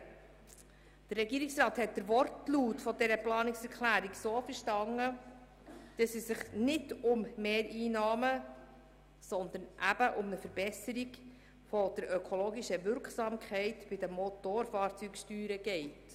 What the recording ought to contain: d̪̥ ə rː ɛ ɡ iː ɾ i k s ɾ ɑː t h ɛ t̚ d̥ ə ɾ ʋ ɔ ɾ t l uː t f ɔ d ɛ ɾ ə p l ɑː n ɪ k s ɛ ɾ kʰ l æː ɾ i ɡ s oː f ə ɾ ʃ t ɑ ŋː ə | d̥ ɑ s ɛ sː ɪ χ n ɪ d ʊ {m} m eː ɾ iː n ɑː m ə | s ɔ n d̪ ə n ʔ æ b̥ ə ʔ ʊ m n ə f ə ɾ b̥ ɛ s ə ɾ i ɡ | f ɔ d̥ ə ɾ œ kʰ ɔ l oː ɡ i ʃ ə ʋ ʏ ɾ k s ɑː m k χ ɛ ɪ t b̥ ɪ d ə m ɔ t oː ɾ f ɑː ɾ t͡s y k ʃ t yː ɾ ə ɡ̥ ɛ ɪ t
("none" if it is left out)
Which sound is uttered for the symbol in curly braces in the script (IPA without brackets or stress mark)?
m